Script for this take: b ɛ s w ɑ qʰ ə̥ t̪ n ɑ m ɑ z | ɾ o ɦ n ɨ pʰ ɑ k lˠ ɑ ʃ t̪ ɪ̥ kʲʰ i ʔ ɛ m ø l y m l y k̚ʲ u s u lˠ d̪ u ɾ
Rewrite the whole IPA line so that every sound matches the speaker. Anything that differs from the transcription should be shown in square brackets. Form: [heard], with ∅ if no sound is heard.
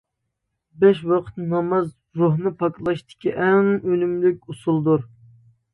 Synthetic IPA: b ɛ [ʃ] w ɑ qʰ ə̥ t̪ n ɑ m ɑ z | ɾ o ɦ n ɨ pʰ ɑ k lˠ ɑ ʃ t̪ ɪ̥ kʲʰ i ʔ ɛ [ŋ] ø l y m l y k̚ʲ u s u lˠ d̪ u ɾ